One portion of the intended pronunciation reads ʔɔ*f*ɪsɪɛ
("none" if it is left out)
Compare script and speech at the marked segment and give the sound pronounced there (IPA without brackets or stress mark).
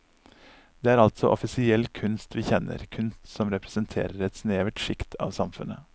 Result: f